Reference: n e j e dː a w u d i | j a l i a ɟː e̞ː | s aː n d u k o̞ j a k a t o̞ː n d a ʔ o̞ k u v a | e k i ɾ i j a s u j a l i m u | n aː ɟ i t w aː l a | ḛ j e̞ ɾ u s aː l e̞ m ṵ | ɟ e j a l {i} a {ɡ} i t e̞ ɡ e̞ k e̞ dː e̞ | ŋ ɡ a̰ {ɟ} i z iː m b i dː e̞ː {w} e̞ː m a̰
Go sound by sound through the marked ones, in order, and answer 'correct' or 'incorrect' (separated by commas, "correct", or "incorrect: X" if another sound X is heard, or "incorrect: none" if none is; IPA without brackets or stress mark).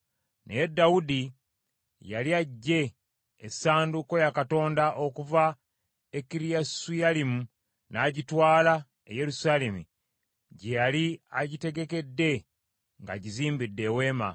correct, incorrect: ɟ, correct, correct